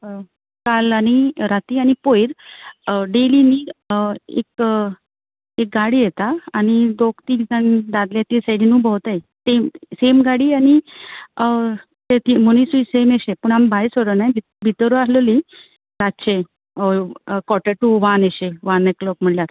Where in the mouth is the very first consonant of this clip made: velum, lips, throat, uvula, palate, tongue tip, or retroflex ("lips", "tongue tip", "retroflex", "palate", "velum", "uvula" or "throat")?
velum